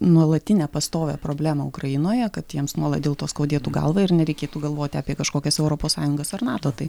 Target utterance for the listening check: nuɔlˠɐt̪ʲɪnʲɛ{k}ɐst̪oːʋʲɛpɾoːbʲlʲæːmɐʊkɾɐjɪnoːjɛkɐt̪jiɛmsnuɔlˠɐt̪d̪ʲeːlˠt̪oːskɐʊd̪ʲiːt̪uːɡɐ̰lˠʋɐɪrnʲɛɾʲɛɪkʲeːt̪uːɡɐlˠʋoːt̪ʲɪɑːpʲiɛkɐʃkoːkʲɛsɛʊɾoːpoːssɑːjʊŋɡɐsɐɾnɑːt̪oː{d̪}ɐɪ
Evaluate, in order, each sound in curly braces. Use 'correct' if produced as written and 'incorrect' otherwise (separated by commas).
incorrect, incorrect